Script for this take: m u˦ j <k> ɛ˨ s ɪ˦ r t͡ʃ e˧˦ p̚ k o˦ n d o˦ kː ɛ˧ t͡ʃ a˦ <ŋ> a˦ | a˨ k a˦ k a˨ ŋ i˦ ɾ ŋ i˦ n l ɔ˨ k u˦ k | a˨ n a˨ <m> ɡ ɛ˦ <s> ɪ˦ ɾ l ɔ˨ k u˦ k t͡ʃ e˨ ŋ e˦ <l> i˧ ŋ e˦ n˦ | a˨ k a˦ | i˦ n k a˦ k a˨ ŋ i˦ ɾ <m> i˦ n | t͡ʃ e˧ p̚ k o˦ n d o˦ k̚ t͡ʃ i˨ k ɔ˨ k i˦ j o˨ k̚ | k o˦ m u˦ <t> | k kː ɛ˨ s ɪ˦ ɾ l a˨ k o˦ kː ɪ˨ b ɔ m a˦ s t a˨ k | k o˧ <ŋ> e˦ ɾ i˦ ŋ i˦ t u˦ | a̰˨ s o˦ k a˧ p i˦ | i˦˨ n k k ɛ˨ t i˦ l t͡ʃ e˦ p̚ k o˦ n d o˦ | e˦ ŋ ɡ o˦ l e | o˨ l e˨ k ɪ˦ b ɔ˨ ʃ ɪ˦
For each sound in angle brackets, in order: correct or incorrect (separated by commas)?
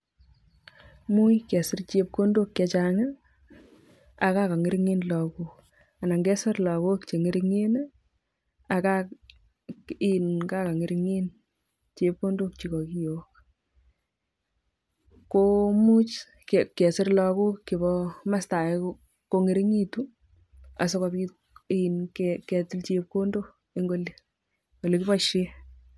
correct, correct, incorrect, correct, incorrect, incorrect, incorrect, correct